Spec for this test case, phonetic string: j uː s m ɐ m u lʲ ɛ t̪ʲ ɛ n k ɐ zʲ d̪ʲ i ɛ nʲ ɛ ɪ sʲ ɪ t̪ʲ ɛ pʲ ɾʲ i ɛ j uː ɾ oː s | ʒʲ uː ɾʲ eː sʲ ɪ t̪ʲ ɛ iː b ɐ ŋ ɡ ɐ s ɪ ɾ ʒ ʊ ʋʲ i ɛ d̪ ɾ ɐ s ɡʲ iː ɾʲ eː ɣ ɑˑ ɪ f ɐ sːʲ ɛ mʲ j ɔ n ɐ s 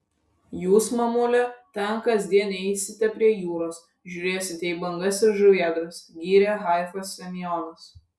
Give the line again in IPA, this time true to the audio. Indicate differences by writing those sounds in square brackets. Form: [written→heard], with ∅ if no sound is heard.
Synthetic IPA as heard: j uː s m ɐ m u lʲ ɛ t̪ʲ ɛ n k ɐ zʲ d̪ʲ i ɛ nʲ ɛ ɪ sʲ ɪ t̪ʲ ɛ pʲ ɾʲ i ɛ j uː ɾ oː s | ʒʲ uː ɾʲ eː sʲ ɪ t̪ʲ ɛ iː b ɐ ŋ ɡ ɐ s ɪ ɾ ʒ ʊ ʋʲ i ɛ d̪ ɾ ɐ s ɡʲ iː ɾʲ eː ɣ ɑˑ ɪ f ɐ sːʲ ɛ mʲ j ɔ n ɐ s